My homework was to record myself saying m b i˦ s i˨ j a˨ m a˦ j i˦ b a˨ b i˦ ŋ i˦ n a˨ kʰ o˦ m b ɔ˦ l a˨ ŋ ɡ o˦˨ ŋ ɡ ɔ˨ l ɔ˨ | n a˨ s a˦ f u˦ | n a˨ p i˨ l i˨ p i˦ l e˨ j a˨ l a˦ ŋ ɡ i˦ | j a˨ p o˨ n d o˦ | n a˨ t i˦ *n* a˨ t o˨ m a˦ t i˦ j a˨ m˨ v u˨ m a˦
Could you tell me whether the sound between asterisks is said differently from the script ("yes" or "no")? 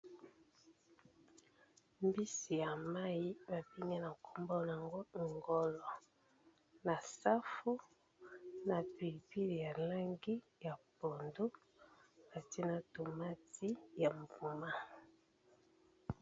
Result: no